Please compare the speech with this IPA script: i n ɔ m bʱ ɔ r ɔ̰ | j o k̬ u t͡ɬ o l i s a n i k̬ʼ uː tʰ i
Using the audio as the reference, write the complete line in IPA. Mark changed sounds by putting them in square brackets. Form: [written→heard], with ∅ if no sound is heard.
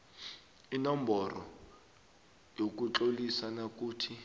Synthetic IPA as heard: i n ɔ m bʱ ɔ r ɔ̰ | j o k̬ u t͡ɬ o l i s a n [i→a] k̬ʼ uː tʰ i